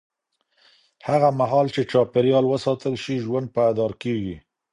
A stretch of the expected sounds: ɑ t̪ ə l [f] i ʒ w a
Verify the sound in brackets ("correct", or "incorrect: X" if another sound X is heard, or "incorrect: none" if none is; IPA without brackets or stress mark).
incorrect: ʃ